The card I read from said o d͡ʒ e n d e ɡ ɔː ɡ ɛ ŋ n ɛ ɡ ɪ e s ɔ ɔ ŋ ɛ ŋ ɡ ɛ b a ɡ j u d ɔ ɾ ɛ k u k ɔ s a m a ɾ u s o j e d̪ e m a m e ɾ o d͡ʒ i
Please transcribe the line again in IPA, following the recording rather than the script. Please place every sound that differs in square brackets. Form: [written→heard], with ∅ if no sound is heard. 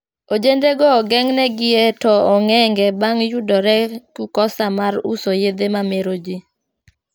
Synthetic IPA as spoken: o d͡ʒ e n d e ɡ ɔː ɡ ɛ ŋ n ɛ ɡ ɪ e [s→t] ɔ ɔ ŋ ɛ ŋ ɡ ɛ b a [ɡ→ŋ] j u d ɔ ɾ ɛ k u k ɔ s a m a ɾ u s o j e d̪ e m a m e ɾ o d͡ʒ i